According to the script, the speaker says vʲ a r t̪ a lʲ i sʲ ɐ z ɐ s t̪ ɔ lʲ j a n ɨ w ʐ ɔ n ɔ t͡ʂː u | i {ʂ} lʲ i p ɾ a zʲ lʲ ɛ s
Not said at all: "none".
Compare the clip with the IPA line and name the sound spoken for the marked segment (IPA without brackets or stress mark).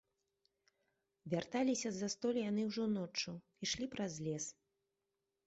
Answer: ʂ